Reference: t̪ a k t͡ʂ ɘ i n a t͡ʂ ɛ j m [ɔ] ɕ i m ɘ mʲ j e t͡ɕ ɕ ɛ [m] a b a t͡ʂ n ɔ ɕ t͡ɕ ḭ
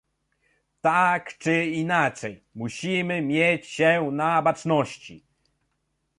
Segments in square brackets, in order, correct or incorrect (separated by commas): incorrect, incorrect